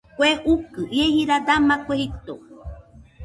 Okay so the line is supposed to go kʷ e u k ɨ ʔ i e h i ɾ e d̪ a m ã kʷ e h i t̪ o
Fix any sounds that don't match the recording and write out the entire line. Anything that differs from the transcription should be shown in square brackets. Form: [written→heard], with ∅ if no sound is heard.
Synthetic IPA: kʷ e u k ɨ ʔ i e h i ɾ [e→a] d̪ a m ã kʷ e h i t̪ o